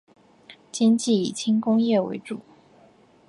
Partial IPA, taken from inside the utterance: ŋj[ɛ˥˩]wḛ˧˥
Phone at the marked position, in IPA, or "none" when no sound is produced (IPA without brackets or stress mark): ɛ˥˩